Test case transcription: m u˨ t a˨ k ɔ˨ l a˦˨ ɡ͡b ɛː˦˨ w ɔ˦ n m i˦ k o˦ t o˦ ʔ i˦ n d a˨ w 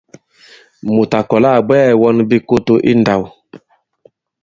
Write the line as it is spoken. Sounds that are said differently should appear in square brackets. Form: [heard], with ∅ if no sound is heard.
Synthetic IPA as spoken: m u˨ t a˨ k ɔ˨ l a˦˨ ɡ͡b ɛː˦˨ w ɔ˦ n [b] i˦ k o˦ t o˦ ʔ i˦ n d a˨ w